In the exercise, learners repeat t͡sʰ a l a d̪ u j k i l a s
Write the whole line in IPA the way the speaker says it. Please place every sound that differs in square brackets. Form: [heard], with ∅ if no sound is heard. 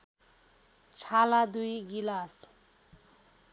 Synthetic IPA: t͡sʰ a l a d̪ u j [ɡ] i l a s